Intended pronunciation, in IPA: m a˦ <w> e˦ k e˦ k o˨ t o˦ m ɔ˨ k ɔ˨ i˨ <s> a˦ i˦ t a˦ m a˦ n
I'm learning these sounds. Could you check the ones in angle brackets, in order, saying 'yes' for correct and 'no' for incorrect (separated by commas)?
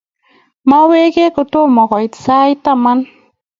yes, yes